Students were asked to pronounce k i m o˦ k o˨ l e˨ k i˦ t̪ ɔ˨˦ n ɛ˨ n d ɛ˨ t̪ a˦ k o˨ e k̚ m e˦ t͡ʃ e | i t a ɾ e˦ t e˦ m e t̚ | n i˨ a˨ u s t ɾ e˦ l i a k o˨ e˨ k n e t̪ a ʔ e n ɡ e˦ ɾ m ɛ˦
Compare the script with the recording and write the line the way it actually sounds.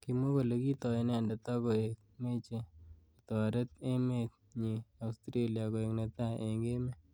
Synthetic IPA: k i m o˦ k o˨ l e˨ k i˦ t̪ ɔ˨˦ n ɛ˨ n d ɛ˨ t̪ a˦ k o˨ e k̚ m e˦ t͡ʃ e | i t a ɾ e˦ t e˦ m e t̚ | ɲ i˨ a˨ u s t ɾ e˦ l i a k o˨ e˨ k n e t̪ a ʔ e ŋ ɡ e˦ m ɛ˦

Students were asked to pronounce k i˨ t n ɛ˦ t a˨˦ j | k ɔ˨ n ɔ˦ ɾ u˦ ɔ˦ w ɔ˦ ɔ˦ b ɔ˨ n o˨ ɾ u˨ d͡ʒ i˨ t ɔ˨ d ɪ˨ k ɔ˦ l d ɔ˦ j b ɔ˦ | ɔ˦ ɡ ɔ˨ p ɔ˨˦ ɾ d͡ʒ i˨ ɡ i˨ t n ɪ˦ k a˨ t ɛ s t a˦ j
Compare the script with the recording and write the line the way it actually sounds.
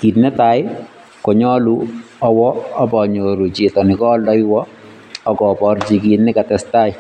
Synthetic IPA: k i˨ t n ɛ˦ t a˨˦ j | k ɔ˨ ɲ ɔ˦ l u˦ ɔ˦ w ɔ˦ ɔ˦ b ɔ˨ ɲ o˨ ɾ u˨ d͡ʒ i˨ t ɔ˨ n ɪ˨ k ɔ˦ l d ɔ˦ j w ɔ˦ | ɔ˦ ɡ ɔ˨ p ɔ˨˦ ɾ d͡ʒ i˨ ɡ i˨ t n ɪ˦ k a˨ t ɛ s t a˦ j

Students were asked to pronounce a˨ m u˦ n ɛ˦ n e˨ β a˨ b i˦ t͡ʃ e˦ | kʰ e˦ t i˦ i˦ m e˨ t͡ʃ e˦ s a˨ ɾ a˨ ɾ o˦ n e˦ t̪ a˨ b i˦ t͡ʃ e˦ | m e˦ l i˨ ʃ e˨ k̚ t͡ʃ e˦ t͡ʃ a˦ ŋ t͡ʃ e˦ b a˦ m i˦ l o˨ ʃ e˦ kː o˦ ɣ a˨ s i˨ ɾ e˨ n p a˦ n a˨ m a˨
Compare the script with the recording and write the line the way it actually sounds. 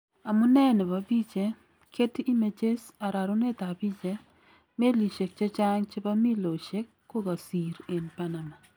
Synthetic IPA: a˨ m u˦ n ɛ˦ n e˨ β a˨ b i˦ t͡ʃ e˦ | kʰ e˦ t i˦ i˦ m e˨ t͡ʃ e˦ s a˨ ɾ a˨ ɾ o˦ n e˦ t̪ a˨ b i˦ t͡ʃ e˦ | m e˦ l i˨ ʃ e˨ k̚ t͡ʃ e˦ t͡ʃ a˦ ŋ t͡ʃ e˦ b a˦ m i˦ l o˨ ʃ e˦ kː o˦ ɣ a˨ s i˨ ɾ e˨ n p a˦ n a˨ m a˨

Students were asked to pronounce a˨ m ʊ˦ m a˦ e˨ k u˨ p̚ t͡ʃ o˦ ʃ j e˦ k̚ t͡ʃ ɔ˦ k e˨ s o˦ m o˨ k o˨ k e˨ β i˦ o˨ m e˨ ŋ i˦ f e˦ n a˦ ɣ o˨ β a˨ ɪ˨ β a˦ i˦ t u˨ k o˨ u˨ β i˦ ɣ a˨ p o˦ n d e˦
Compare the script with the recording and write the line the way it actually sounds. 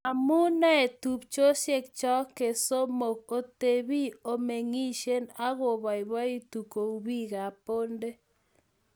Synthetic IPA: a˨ m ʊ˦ n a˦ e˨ t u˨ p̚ t͡ʃ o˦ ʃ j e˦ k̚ t͡ʃ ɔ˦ k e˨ s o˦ m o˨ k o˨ t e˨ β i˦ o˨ m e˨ ŋ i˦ ʃ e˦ n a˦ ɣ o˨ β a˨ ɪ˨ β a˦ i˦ t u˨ k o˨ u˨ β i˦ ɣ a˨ p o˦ n d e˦

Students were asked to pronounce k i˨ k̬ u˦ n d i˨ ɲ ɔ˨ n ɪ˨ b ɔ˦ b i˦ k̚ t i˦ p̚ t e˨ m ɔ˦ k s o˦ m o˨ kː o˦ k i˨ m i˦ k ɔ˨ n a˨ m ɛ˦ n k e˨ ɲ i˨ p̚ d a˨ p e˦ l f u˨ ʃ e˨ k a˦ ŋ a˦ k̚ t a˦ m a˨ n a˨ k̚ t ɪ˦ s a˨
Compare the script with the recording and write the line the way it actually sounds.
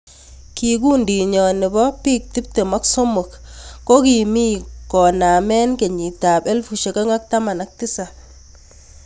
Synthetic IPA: k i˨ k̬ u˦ n d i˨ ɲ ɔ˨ n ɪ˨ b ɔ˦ p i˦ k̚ t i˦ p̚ t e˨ m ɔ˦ k s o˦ m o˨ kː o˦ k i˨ m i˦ k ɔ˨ n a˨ m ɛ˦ n k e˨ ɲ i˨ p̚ t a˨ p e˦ l f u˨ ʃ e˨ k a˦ ŋ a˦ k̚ t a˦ m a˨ n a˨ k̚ t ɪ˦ s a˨

